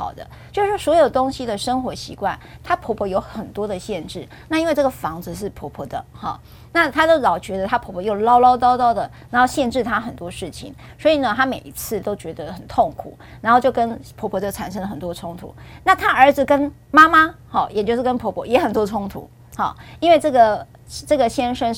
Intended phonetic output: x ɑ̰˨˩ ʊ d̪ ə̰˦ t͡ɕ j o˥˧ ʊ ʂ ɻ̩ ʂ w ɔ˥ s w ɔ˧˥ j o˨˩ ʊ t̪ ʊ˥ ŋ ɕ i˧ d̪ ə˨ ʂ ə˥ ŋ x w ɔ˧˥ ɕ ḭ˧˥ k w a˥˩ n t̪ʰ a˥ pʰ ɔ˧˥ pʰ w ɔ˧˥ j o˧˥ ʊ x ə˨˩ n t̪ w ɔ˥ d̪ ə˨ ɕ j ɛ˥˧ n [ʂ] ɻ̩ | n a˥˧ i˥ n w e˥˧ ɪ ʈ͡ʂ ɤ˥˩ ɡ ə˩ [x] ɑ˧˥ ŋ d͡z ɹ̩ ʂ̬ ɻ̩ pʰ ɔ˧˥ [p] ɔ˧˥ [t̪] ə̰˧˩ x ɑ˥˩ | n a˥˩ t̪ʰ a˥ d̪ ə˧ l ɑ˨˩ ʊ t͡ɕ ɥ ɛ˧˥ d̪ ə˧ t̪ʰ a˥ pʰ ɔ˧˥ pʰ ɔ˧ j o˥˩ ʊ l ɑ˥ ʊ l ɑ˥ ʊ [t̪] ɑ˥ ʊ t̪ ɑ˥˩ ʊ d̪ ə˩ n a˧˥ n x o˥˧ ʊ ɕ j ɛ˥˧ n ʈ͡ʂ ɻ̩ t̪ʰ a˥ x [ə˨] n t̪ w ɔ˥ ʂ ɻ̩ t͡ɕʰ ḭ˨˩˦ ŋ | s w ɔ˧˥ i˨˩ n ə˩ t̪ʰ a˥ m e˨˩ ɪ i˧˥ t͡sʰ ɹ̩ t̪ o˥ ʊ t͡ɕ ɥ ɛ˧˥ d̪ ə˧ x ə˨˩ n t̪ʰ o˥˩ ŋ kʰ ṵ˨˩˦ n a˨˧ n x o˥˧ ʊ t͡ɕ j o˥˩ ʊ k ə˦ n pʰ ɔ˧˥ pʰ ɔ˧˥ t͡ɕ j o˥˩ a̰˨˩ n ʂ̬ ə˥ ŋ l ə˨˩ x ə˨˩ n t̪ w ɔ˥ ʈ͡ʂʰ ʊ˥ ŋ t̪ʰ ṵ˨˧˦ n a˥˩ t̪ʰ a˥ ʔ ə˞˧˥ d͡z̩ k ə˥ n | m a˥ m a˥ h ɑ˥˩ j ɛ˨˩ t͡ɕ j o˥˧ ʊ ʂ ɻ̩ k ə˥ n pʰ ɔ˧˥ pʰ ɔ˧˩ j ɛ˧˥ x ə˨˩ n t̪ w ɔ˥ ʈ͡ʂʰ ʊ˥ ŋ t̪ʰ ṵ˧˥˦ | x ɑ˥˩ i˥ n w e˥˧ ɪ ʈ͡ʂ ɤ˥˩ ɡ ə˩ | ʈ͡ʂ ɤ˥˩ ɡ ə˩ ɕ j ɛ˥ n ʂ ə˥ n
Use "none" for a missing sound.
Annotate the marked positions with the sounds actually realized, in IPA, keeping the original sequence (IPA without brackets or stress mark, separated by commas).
ʈ͡ʂ, f, pʰ, d̪, t̪, ə˨